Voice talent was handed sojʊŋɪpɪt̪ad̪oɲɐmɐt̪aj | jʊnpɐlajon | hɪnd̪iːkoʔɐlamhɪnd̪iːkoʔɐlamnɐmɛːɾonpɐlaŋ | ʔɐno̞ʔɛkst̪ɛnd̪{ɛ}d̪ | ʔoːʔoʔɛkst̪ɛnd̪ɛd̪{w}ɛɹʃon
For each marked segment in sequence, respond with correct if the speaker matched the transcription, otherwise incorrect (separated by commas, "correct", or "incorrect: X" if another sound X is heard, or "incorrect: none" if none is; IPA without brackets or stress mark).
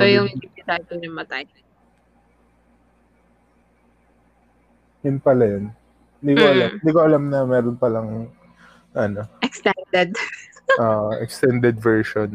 correct, incorrect: v